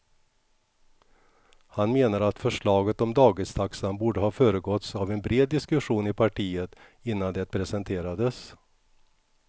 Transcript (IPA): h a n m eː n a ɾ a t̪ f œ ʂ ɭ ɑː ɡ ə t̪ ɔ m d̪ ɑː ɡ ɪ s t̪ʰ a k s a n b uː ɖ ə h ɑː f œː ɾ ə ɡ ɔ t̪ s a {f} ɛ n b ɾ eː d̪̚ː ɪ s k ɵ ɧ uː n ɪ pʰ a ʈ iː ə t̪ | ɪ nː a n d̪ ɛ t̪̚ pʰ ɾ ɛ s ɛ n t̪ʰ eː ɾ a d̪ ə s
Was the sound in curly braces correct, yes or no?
no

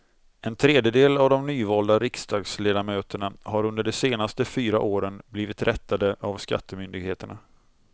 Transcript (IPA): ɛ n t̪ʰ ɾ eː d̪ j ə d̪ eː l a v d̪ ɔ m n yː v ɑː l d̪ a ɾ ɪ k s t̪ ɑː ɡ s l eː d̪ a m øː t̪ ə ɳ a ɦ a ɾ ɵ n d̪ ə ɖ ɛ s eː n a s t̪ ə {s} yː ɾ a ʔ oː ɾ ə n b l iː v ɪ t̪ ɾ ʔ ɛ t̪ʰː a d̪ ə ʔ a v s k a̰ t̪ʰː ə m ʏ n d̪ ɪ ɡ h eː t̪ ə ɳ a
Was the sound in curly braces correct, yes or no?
no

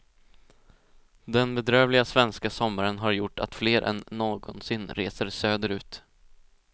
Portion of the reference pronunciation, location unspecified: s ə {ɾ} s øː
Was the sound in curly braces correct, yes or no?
yes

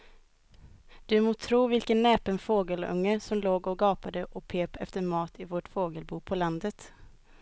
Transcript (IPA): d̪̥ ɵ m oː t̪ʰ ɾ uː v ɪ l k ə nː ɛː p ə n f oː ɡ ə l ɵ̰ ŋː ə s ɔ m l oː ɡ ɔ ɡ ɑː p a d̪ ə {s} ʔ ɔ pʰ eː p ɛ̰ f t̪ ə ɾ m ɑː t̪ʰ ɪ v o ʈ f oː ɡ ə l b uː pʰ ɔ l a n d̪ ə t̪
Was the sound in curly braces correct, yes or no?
no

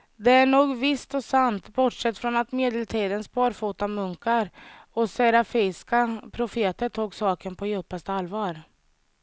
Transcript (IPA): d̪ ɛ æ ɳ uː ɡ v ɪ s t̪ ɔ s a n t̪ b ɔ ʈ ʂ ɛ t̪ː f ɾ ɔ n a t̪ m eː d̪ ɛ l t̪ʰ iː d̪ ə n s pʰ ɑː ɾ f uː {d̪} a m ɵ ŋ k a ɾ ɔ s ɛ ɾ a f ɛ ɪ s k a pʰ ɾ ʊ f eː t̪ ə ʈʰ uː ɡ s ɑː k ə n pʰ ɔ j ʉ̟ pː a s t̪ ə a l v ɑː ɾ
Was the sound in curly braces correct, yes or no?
no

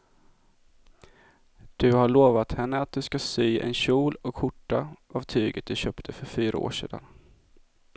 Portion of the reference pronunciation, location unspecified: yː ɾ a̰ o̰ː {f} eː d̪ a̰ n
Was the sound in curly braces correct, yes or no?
no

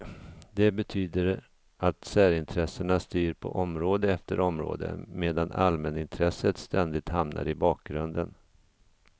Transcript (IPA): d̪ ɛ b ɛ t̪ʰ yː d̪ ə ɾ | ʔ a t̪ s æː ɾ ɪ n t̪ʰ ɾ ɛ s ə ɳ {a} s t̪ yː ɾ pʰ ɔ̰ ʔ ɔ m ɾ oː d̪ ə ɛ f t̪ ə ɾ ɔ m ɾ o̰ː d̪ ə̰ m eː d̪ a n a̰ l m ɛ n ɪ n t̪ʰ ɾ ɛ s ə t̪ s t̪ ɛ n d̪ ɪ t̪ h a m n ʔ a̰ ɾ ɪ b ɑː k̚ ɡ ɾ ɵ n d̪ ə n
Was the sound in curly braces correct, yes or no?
yes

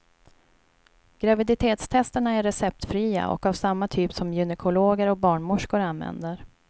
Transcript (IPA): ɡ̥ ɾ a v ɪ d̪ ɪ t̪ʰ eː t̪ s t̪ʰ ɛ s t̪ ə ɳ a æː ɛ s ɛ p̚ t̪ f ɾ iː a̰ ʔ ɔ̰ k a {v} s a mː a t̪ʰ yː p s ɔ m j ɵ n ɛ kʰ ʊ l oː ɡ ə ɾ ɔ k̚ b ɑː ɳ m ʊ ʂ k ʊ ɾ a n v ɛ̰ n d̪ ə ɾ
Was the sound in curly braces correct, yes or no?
yes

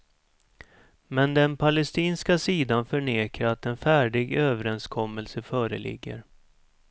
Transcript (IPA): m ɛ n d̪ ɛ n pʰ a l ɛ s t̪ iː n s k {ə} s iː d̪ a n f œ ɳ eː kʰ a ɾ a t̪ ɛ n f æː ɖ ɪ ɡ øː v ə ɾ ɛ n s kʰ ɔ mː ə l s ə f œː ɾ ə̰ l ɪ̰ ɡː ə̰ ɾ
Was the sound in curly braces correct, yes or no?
no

